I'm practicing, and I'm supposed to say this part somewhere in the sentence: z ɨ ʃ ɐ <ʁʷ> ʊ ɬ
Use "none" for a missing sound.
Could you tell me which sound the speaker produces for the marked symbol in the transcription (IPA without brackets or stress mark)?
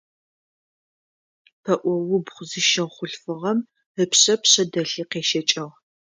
χʷ